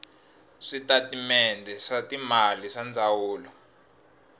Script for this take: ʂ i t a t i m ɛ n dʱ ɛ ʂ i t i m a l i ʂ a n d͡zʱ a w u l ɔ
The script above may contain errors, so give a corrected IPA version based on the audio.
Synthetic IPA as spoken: ʂ i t a t i m ɛ n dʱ ɛ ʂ a t i m a l i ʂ a n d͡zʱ a w uː l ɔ